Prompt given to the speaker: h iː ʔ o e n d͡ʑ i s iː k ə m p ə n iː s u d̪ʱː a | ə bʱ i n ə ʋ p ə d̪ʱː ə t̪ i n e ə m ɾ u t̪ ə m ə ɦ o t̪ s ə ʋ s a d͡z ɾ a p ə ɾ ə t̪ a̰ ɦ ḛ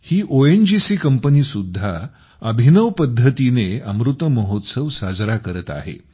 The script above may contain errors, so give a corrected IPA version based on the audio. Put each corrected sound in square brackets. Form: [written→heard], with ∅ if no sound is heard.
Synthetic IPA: h iː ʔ o e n d͡ʑ i s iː k ə m p ə n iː s u d̪ʱː a | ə bʱ i n ə ʋ p ə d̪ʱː ə t̪ i n e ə m ɾ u t̪ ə m ə ɦ o t̪ s ə ʋ s a d͡z ɾ a [p→k] ə ɾ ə t̪ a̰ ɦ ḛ